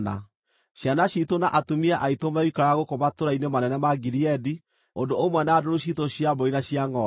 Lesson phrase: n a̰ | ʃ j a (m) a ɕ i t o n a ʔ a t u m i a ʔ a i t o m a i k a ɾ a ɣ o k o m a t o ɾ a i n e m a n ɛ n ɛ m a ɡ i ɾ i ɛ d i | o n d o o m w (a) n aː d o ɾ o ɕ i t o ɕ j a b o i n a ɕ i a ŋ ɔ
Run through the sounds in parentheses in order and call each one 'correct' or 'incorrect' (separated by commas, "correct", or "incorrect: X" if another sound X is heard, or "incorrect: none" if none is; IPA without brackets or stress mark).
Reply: incorrect: n, incorrect: ɛ